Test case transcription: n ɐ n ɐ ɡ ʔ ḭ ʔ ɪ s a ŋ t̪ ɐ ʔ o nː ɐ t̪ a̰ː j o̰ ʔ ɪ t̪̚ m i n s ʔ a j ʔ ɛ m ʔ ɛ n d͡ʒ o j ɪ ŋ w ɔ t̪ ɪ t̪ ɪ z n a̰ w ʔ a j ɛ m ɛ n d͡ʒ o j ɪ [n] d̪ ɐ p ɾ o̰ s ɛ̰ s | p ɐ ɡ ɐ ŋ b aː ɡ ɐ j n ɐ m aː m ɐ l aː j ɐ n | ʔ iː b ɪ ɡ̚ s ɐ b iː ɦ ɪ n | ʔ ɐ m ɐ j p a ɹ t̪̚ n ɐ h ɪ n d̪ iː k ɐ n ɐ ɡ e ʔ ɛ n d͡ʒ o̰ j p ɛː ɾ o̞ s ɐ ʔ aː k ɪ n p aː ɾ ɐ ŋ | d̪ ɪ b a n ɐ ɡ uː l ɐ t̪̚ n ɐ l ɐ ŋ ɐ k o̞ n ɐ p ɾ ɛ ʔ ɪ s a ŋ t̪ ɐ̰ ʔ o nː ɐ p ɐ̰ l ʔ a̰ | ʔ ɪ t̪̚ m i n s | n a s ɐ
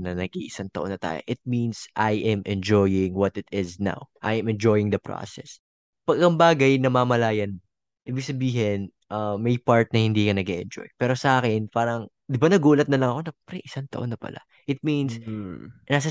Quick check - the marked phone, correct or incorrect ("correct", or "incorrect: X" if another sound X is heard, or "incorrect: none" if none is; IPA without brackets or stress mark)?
incorrect: ŋ